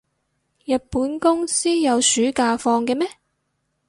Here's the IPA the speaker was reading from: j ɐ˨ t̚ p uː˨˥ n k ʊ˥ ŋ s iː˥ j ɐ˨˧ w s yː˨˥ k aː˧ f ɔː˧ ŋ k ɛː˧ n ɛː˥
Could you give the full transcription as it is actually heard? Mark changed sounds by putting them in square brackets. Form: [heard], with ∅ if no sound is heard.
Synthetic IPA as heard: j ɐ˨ t̚ p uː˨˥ n k ʊ˥ ŋ s iː˥ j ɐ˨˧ w s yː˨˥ k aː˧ f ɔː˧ ŋ k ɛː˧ [m] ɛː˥